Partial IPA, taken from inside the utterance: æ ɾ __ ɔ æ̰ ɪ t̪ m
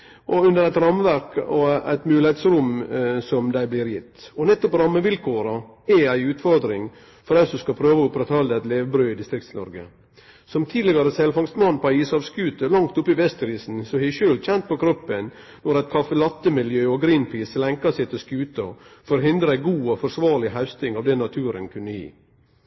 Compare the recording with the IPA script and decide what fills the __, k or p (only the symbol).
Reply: k